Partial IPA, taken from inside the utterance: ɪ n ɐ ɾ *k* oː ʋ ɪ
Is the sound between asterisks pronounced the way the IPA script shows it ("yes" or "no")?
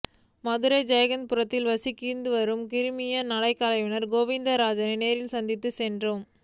no